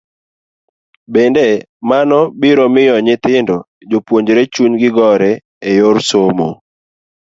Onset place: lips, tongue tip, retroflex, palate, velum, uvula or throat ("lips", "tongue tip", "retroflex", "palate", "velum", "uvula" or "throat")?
lips